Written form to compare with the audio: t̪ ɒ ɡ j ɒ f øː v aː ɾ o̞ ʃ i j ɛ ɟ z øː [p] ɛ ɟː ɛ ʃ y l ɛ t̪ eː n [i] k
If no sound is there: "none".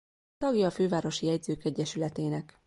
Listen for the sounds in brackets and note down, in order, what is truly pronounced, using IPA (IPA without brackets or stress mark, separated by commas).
k, ɛ